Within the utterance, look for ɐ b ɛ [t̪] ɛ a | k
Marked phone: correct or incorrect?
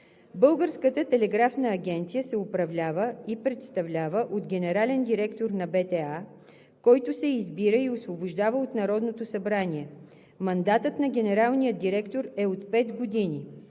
correct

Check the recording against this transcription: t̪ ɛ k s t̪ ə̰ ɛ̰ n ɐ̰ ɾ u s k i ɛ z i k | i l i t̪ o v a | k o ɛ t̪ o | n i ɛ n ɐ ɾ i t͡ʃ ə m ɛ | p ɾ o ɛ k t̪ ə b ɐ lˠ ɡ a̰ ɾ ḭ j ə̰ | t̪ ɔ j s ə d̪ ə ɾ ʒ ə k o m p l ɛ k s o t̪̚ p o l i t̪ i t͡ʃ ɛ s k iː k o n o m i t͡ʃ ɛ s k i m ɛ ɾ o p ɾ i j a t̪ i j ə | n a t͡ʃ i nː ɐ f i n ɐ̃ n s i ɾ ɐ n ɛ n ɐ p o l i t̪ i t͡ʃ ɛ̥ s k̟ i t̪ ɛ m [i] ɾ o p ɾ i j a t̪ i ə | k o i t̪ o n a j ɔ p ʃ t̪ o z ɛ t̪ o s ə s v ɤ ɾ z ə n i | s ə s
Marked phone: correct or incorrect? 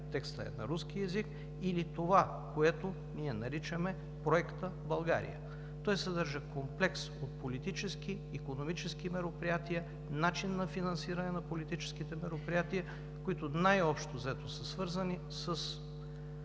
incorrect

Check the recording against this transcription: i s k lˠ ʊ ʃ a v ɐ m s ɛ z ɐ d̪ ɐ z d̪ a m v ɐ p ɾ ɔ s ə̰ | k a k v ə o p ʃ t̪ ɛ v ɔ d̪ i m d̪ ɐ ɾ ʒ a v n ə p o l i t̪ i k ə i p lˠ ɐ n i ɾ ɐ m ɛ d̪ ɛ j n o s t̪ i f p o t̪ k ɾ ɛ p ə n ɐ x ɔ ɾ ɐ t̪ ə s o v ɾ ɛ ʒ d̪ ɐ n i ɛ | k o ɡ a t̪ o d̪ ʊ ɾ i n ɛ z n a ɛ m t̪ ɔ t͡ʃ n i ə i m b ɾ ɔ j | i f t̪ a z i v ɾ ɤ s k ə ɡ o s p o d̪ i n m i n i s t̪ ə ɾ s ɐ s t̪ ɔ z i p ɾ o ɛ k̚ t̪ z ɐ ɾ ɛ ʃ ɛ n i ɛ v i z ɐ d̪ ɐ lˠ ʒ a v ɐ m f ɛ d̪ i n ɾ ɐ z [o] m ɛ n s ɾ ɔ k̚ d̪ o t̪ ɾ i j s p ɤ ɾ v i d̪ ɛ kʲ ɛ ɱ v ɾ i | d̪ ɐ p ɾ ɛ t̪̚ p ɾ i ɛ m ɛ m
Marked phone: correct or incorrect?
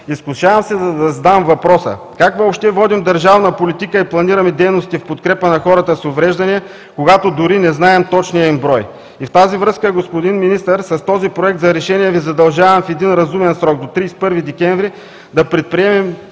incorrect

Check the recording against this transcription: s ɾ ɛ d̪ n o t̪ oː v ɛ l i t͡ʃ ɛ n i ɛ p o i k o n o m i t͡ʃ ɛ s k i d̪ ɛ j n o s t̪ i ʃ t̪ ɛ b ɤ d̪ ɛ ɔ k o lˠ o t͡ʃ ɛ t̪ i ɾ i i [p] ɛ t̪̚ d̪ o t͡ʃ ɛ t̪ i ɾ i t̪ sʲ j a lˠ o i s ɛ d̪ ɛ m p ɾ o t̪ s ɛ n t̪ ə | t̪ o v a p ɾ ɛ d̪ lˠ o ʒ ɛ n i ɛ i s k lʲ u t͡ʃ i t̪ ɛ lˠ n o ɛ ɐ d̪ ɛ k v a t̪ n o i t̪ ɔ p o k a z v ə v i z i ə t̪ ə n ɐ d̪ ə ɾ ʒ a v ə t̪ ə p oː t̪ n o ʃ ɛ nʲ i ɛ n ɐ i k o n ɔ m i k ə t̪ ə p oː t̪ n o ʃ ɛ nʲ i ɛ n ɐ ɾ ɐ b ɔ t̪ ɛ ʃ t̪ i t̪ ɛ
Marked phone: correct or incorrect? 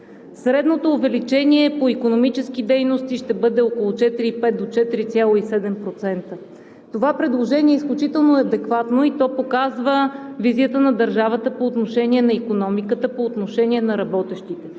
correct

